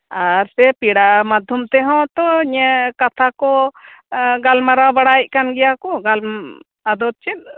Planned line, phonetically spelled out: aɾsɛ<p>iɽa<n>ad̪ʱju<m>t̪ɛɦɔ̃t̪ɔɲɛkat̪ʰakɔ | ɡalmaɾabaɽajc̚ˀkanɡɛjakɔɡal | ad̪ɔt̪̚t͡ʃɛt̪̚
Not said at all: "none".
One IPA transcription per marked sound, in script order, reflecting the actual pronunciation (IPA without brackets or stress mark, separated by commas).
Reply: p, m, m